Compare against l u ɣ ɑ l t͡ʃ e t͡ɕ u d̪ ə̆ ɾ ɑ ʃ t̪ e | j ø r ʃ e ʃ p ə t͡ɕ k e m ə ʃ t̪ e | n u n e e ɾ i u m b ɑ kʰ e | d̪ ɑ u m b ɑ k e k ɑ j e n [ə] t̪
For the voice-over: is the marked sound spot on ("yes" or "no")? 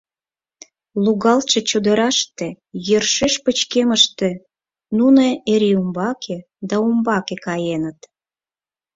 yes